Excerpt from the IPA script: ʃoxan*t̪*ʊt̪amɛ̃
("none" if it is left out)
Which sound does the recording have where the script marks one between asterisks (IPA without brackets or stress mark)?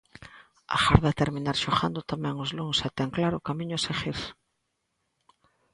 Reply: d̪